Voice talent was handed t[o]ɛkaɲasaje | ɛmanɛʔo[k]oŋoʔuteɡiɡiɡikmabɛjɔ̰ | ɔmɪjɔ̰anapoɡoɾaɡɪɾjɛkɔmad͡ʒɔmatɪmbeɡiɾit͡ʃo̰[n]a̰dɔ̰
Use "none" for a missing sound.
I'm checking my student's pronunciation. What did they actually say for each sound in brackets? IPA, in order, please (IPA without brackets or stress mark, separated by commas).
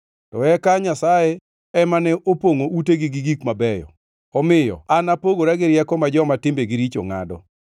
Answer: ɔ, p, ŋ